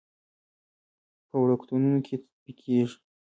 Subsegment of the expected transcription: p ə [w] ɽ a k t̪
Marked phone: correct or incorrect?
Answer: correct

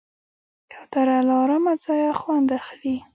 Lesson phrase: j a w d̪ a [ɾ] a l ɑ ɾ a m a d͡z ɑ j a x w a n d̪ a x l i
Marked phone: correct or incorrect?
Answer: correct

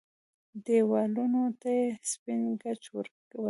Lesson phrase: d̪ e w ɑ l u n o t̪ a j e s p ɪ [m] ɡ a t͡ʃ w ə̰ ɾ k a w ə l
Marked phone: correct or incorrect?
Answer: incorrect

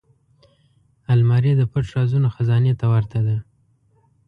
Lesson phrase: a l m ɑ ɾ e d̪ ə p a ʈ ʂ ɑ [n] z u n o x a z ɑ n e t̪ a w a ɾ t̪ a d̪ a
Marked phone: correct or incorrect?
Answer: incorrect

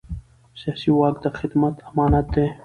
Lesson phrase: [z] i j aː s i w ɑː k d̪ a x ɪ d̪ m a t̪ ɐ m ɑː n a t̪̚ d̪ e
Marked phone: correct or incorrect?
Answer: incorrect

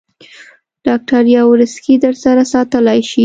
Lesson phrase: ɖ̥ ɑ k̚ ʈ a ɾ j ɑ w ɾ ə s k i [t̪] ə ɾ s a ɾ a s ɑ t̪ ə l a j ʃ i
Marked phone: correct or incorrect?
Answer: incorrect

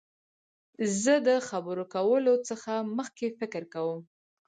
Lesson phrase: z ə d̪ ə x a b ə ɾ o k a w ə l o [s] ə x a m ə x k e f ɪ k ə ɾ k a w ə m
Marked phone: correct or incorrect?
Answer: incorrect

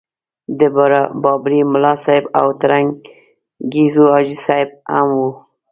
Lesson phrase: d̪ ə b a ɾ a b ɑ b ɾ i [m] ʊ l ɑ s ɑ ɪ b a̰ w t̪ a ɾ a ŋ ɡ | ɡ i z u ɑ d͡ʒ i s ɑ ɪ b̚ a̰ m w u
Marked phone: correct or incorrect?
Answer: correct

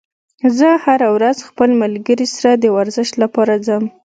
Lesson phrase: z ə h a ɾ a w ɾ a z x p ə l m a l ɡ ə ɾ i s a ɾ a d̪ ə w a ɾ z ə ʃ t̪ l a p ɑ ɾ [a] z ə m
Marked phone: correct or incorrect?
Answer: correct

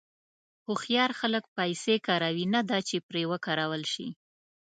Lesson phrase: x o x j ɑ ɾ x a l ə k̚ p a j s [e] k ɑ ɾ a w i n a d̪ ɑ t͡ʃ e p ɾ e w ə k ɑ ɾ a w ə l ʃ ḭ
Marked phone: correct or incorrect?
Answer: correct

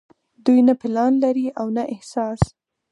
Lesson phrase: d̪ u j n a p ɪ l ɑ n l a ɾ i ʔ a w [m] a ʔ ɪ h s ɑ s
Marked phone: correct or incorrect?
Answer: incorrect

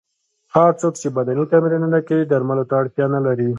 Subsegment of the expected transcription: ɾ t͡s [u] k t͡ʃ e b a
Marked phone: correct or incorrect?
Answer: incorrect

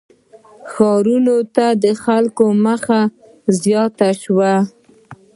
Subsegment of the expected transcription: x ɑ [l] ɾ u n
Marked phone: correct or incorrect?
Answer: incorrect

